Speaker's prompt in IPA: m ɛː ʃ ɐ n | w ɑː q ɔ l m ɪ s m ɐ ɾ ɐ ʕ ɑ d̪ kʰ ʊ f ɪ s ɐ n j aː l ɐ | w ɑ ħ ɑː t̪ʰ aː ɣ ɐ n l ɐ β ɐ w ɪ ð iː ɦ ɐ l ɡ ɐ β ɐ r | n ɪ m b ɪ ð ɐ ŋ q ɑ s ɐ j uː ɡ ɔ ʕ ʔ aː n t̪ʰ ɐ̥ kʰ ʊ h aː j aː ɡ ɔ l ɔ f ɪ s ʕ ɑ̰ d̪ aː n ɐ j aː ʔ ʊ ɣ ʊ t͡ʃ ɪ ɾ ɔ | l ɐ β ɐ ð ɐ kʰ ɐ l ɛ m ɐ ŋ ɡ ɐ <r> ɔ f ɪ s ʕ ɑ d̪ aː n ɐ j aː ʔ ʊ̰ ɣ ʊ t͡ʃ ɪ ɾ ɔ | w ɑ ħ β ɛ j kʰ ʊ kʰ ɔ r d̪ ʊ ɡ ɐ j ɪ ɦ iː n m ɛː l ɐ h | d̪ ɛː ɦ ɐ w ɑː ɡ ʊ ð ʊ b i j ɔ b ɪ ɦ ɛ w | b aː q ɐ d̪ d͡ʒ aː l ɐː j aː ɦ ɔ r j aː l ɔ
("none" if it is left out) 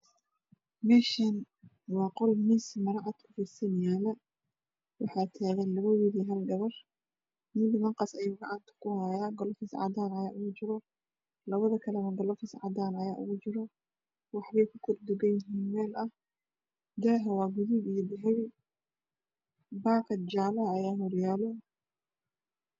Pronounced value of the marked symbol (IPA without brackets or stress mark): l